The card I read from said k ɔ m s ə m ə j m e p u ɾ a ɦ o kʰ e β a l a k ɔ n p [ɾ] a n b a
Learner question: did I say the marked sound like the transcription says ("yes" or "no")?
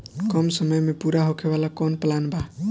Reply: no